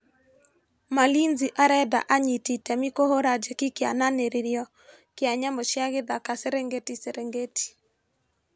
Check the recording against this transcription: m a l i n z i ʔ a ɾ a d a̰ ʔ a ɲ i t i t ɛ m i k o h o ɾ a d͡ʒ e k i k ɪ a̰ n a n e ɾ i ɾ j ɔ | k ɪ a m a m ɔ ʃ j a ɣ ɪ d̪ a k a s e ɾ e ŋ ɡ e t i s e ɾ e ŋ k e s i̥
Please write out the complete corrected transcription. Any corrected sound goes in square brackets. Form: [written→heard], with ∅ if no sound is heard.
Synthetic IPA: m a l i n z i ʔ a ɾ [a→ɛ] d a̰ ʔ a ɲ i t i t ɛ m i k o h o ɾ a d͡ʒ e k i k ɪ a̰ n a n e ɾ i ɾ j ɔ | k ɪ a [m→ɲ] a m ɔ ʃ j a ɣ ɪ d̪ a k a s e ɾ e ŋ ɡ e t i s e ɾ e ŋ [k→ɡ] e [s→t] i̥